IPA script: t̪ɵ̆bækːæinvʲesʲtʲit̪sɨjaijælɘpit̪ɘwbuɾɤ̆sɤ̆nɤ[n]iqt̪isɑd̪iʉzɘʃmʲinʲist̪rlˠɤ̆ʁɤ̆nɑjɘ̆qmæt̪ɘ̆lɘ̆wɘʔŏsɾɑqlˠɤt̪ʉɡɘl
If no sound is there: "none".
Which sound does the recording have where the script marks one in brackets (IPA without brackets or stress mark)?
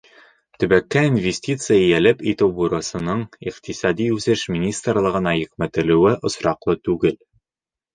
ɴ